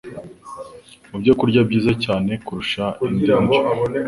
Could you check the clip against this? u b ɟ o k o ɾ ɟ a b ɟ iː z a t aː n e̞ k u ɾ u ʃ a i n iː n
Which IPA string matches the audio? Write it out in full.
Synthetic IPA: u b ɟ o k u ɾ ɟ a b ɟ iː z a c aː n e̞ k u ɾ u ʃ a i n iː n

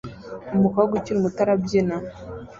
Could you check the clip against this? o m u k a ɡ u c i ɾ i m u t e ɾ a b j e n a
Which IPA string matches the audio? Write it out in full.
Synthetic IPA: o m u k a ɡ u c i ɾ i m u t a ɾ a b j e n a

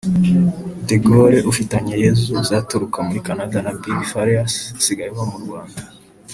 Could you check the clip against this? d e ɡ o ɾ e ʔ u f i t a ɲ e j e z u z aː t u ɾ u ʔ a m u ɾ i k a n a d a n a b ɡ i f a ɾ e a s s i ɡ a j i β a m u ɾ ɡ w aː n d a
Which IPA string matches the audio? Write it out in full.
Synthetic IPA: d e ɡ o ɾ e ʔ u f i t a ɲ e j e z u z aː t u ɾ u k a m u ɾ i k a n a d a n a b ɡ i f a ɾ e a s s i ɡ a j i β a m u ɾ ɡ w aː n d a

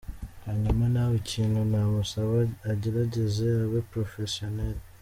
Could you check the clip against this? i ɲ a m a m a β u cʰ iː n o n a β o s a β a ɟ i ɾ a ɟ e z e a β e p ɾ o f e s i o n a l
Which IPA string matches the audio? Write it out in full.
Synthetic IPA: a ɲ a m a n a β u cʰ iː n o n a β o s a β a ɟ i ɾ a ɟ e z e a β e p ɾ o f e s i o n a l

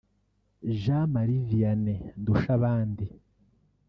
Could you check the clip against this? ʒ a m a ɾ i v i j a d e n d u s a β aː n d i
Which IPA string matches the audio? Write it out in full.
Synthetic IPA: ʒ a m a ɾ i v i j a n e n d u ʃ a β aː n d i

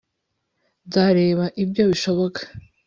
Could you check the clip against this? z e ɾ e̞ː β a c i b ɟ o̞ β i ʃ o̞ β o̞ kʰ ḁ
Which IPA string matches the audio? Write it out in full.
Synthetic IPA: z a ɾ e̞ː β a ʔ i b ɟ o̞ β i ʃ o̞ β o̞ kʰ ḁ

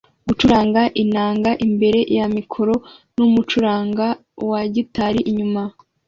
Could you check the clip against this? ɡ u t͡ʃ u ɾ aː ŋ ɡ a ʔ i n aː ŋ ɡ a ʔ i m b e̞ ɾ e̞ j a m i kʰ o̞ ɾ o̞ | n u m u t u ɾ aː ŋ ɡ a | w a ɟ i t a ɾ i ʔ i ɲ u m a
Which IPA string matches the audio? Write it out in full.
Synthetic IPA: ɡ u t͡ʃ u ɾ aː ŋ ɡ a ʔ i n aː ŋ ɡ a ʔ i m b e̞ ɾ e̞ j a m i kʰ o̞ ɾ o̞ | n u m u t͡ʃ u ɾ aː ŋ ɡ a | w a ɟ i t a ɾ i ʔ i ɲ u m a

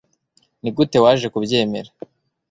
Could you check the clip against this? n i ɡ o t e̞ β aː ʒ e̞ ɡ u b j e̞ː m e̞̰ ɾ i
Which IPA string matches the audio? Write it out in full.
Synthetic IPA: n i ɡ u t e̞ w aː ʒ e̞ k u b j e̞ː m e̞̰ ɾ a

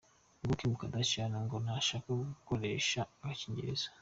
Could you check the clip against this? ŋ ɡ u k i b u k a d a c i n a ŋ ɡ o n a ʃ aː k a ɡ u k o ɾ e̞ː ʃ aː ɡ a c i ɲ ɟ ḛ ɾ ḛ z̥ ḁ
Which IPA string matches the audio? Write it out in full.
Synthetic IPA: ŋ ɡ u k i m u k a d a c a n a ŋ ɡ o n a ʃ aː k a ɡ u k o ɾ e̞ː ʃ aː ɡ a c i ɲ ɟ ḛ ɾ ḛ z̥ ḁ

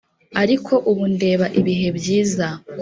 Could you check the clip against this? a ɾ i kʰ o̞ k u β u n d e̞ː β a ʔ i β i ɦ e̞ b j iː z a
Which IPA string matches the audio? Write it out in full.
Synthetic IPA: a ɾ i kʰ o̞ ʔ u β u n d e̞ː β a ʔ i β i ɦ e̞ b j iː z a

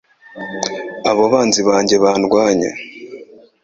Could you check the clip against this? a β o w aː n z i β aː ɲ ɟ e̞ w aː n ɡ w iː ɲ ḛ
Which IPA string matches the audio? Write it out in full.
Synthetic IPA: a β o β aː n z i β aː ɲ ɟ e̞ β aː n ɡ w aː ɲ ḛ

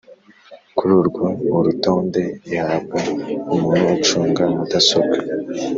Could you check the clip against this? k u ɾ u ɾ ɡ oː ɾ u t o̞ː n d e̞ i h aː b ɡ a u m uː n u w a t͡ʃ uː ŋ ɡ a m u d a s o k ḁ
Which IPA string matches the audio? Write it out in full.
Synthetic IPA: k u ɾ u ɾ ɡ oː ɾ u t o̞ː n d e̞ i h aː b ɡ a u m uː n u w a t͡ʃ uː ŋ ɡ a m u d a s o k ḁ

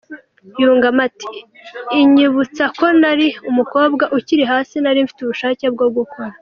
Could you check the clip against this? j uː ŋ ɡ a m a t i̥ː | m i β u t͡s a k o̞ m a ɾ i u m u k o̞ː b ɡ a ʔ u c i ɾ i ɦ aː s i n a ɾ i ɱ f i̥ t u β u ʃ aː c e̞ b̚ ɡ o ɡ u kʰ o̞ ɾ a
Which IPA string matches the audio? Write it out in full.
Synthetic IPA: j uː ŋ ɡ a m a t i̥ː | ɲ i β u t͡s a k o̞ n a ɾ i u m u k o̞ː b ɡ a ʔ u c i ɾ i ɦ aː s i n a ɾ i ɱ f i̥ t u β u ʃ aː c e̞ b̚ ɡ o ɡ u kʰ o̞ ɾ a

